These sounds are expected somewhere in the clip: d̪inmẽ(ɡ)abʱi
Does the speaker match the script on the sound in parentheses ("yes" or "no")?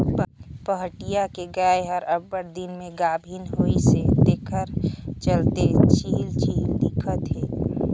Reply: yes